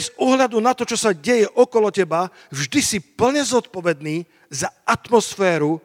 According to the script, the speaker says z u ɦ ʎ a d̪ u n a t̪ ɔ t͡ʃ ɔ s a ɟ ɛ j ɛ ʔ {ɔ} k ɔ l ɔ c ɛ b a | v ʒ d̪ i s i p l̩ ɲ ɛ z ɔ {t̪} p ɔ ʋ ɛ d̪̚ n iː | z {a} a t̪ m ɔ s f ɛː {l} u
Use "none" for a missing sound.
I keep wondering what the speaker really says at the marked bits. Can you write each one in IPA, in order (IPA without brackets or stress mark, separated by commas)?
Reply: ɔ, t̪, a, ɾ